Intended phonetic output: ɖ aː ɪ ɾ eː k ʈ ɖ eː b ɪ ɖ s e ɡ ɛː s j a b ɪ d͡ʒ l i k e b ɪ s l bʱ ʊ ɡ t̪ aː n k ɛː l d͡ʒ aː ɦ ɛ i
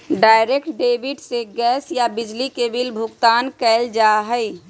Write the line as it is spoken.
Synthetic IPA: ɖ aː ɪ ɾ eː k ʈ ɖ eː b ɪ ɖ s e ɡ ɛː s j a b ɪ d͡ʒ l i k e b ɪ l bʱ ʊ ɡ t̪ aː n k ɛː l d͡ʒ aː ɦ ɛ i